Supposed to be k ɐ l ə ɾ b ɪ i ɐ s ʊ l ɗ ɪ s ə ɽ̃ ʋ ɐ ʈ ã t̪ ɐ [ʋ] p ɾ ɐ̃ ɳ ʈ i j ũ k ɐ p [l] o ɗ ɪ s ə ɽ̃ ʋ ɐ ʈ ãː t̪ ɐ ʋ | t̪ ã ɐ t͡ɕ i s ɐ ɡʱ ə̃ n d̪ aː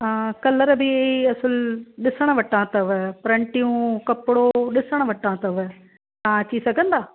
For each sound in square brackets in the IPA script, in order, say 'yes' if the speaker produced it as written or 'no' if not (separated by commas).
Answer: yes, no